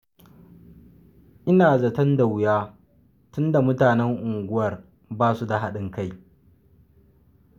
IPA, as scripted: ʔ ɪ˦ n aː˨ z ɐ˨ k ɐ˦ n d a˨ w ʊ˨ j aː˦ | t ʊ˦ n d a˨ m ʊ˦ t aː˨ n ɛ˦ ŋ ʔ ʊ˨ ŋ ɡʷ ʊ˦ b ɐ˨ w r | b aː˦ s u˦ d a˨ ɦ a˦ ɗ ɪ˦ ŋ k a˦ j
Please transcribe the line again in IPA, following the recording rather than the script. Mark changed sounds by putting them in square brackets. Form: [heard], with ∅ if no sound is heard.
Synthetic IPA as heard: ʔ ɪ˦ n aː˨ z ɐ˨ [t] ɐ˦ n d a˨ w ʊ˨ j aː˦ | t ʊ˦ n d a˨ m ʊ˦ t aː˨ n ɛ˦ ŋ ʔ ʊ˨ ŋ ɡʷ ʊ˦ [w] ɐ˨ [∅] r | b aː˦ s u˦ d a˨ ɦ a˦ ɗ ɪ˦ ŋ k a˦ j